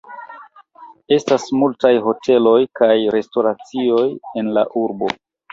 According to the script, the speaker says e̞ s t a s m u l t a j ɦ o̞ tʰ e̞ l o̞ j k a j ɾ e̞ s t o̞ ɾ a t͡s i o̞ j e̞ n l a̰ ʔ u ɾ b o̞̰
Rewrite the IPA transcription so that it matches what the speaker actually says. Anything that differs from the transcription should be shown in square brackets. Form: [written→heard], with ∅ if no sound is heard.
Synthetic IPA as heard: e̞ s t a s m u l t a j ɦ o̞ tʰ e̞ l o̞ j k a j ɾ e̞ s t o̞ ɾ a t͡s i o̞ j e̞ n l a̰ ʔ u ɾ b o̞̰